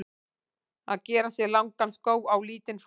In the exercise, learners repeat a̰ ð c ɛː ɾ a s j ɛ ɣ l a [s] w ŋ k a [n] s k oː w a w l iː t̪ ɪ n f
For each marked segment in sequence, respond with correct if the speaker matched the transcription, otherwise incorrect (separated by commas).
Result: incorrect, correct